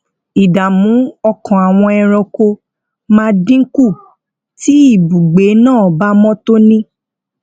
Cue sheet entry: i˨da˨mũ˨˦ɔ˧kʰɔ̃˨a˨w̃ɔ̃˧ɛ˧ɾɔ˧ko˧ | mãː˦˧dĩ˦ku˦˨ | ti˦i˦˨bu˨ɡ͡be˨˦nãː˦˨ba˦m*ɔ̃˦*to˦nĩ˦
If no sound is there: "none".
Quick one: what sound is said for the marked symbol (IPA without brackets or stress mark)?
ɔ̃˦